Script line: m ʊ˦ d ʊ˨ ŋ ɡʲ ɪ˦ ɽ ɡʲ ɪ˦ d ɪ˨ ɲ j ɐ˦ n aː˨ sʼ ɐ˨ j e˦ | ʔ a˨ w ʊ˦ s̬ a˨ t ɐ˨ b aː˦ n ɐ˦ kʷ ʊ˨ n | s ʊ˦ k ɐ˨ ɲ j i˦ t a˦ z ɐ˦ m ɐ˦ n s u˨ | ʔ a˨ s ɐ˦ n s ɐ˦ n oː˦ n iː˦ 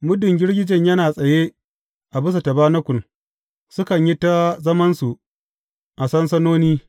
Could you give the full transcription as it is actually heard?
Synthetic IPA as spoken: m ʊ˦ d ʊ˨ ŋ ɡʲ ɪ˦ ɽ ɡʲ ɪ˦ d͡ʒ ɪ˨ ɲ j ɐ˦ n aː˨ sʼ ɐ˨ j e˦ | ʔ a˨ b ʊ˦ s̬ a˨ t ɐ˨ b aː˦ n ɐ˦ kʷ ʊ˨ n | s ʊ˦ k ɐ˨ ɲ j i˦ t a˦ z ɐ˦ m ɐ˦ n s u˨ | ʔ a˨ s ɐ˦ n s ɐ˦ n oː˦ n iː˦

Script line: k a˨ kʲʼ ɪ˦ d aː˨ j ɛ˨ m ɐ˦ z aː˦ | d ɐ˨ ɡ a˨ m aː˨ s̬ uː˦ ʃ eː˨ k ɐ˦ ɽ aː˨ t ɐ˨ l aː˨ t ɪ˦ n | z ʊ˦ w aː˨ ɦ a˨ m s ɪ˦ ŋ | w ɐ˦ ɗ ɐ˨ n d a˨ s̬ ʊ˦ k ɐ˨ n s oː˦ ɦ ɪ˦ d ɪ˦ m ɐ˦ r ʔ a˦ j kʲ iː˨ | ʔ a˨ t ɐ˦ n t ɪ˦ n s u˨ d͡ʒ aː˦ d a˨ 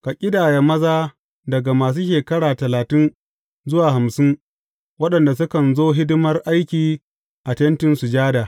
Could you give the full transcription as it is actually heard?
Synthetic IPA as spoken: k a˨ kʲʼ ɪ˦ d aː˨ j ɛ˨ m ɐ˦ z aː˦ | d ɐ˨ ɡ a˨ m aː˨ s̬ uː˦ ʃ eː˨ k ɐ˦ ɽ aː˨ t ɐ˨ l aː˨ t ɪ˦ n | z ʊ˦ w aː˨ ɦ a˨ m s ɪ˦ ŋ | w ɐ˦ ɗ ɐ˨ n d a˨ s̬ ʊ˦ k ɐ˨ n z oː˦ ɦ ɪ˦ d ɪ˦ m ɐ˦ r ʔ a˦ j kʲ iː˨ | ʔ a˨ t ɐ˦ n t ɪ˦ n s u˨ d͡ʒ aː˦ d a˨

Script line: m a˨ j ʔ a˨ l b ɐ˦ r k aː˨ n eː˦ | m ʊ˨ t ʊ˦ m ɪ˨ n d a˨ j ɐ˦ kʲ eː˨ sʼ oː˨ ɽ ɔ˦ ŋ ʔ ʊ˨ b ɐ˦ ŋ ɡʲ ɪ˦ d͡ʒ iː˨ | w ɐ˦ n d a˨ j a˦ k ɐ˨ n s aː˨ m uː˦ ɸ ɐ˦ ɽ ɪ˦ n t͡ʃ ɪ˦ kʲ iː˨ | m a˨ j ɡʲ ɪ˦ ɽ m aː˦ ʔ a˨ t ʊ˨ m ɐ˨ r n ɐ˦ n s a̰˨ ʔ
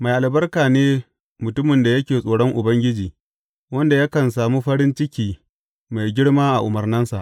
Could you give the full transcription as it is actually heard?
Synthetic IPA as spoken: m a˨ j ʔ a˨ l b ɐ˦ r k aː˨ n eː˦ | m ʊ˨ t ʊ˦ m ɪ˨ n d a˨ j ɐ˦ kʲ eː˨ sʼ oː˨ ɽ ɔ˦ ŋ ʔ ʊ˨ b ɐ˦ ŋ ɡʲ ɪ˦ d͡ʒ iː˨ | w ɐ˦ n d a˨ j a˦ k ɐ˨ n s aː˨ m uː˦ ɸ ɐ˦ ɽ ɪ˦ n t͡ʃ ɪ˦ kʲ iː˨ | m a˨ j ɡʲ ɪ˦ ɽ m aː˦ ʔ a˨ ʔ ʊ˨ m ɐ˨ r n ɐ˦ n s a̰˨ ʔ

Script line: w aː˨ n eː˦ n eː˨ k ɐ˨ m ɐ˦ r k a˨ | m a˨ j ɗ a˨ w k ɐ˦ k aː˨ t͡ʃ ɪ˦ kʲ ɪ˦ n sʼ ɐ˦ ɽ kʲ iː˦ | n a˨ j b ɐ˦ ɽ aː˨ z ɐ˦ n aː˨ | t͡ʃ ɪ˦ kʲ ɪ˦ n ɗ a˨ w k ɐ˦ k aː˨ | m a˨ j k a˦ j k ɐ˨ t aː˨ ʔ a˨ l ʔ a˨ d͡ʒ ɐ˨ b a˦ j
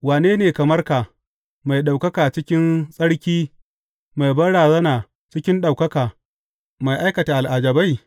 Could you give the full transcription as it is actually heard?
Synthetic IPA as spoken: w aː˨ n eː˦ n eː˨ k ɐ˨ m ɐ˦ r k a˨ | m a˨ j ɗ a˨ w k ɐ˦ k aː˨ t͡ʃ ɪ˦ kʲ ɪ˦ n sʼ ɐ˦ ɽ kʲ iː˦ | m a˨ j b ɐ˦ ɽ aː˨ z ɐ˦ n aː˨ | t͡ʃ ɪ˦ kʲ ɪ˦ n ɗ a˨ w k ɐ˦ k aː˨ | m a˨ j ʔ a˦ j k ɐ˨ t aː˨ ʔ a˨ l ʔ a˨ d͡ʒ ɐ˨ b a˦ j

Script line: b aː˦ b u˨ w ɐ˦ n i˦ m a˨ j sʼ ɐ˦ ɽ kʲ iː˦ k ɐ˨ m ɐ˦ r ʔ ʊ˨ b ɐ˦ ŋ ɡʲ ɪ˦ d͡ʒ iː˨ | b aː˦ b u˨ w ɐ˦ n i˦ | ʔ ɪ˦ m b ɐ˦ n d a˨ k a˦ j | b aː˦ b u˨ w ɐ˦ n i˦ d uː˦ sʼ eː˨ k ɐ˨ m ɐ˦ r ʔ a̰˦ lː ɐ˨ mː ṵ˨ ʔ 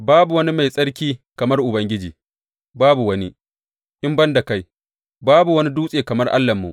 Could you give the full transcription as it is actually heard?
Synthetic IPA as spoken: b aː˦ b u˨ w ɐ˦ n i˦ m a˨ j sʼ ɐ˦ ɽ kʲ iː˦ k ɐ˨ m ɐ˦ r ʔ ʊ˨ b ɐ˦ ŋ ɡʲ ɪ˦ d͡ʒ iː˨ | b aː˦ b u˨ w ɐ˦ n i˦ | ʔ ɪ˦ m b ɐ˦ n d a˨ k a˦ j | b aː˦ b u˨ w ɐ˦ n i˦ d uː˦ sʼ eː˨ k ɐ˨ m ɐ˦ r ʔ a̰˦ lː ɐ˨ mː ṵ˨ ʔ

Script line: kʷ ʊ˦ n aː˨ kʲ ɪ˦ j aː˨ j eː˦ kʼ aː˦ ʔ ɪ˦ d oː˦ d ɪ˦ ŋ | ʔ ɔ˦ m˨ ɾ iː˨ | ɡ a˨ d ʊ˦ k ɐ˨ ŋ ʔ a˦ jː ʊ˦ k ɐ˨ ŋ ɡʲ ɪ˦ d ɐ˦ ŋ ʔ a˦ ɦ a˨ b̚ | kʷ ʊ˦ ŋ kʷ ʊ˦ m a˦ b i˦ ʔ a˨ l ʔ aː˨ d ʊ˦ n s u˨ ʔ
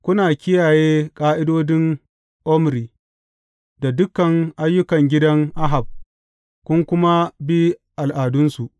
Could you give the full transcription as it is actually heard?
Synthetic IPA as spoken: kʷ ʊ˦ n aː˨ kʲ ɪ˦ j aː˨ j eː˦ kʼ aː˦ ʔ ɪ˦ d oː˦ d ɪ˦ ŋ | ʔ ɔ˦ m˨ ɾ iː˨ | d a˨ d ʊ˦ k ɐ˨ ŋ ʔ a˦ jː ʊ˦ k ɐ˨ ŋ ɡʲ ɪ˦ d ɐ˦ ŋ ʔ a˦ ɦ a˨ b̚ | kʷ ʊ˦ ŋ kʷ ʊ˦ m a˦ b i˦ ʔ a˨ l ʔ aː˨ d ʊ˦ n s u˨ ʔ

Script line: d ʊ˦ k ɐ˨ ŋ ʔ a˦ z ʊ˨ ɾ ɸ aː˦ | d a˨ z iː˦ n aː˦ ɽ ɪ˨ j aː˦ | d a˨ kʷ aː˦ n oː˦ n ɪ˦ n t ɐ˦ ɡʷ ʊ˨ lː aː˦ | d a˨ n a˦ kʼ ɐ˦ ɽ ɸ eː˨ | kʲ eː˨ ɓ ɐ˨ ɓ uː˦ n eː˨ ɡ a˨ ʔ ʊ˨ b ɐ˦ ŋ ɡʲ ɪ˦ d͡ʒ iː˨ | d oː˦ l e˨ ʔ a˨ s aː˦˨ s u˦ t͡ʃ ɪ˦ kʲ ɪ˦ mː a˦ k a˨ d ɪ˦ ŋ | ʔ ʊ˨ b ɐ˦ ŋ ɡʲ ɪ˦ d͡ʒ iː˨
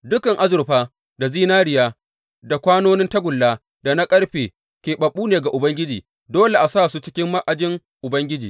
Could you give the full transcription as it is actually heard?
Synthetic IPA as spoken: d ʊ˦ k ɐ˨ ŋ ʔ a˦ z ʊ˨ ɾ ɸ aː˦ | d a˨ z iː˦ n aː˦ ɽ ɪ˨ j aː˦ | d a˨ kʷ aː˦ n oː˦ n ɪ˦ n t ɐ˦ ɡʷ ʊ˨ lː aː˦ | d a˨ n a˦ kʼ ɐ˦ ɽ ɸ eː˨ | kʲ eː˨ ɓ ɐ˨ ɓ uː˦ n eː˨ ɡ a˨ ʔ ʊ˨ b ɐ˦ ŋ ɡʲ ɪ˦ d͡ʒ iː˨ | d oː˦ l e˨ ʔ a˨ s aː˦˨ s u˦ t͡ʃ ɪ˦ kʲ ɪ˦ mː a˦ ʔ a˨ d͡ʒ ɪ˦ ŋ | ʔ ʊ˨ b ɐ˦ ŋ ɡʲ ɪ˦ d͡ʒ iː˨

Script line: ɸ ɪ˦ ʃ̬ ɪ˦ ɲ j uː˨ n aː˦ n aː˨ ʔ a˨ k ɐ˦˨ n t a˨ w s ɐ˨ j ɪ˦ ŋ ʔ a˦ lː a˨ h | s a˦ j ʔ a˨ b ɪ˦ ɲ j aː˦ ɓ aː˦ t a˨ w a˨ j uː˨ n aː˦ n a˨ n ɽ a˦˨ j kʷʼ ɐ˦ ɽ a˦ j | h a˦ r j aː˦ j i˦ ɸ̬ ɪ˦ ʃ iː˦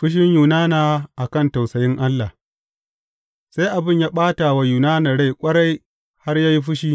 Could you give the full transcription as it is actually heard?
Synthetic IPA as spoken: ɸ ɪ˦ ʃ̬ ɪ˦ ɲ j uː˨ n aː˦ n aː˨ ʔ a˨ k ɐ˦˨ n t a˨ w s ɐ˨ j ɪ˦ ŋ ʔ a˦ lː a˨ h | s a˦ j ʔ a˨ b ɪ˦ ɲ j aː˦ ɓ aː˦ t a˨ w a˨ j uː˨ n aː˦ n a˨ ɽ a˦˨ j kʷʼ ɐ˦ ɽ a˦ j | h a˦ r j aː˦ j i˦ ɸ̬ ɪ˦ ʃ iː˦

